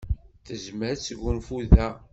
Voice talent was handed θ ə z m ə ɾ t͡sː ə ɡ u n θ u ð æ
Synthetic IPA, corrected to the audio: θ ə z m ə ɾ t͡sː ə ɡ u n f u ð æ